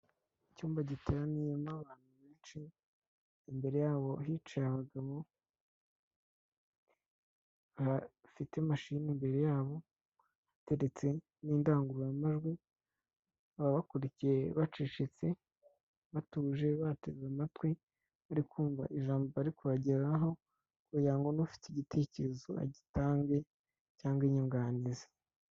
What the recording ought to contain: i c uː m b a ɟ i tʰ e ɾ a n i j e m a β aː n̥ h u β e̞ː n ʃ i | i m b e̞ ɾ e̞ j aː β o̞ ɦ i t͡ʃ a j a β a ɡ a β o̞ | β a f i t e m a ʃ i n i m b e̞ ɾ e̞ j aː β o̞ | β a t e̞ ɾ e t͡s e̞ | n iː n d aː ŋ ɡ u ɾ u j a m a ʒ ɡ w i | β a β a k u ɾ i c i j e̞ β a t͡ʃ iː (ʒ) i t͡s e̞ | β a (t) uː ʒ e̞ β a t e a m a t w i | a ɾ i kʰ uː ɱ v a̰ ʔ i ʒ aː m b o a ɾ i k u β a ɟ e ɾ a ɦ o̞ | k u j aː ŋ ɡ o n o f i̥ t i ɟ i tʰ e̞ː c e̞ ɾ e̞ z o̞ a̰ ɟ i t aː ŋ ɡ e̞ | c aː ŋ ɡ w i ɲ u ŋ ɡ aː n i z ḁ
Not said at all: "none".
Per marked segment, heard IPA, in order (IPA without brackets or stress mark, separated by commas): ʃ, t